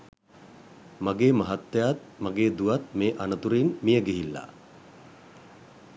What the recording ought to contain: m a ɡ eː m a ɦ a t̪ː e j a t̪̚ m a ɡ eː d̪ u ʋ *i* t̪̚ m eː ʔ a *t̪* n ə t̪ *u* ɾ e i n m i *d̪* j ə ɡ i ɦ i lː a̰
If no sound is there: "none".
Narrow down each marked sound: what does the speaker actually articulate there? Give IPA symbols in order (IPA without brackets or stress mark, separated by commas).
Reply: a, none, u, none